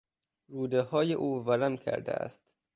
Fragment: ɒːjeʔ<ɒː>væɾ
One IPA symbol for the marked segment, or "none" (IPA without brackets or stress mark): uː